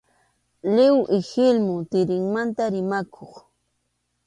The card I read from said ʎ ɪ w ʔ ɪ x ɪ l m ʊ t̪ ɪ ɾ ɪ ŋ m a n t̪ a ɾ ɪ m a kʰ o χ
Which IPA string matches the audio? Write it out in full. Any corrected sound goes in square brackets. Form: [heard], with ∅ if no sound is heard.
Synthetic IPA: [l] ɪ w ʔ ɪ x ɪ l m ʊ t̪ ɪ ɾ ɪ ŋ m a n t̪ a ɾ ɪ m a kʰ o χ